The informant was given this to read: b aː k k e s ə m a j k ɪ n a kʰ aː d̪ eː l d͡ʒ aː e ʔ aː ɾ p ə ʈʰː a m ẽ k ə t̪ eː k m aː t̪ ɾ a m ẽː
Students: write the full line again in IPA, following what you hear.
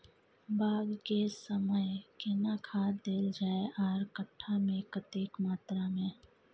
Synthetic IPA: b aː ɡ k e s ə m ə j k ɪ n a kʰ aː d̪ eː l d͡ʒ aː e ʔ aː ɾ k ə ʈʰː a m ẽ k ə t̪ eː k m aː t̪ ɾ a m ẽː